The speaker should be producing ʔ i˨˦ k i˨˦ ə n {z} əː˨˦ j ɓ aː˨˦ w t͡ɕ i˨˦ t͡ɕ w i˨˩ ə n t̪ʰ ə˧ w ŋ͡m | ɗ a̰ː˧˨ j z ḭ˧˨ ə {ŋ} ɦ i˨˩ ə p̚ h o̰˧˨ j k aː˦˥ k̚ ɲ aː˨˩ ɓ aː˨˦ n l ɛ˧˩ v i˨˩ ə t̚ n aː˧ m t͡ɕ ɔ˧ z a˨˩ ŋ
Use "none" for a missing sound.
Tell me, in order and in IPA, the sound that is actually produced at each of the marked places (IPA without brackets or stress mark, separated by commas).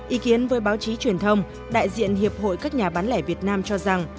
v, n